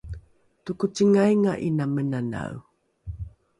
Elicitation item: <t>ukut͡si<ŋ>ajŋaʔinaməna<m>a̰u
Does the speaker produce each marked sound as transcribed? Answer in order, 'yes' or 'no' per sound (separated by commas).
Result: yes, yes, no